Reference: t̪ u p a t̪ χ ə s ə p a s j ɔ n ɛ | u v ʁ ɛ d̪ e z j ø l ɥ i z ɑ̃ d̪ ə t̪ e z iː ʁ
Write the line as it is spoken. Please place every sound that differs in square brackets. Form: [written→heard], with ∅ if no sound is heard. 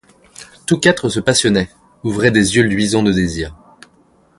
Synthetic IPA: t̪ u [p→k] a t̪ χ ə s ə p a s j ɔ n ɛ | u v ʁ ɛ d̪ e z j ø l ɥ i z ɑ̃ d̪ ə [t̪→d̪] e z iː ʁ